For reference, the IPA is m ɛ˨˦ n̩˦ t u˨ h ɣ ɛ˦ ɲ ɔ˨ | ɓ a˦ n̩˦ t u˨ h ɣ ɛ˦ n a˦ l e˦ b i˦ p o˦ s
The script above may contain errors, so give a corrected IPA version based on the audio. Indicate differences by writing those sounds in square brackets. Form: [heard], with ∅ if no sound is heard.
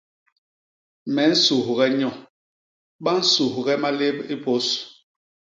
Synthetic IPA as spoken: m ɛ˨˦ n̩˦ [s] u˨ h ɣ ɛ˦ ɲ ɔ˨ | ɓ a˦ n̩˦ [s] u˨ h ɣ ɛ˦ [m] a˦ l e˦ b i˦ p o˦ s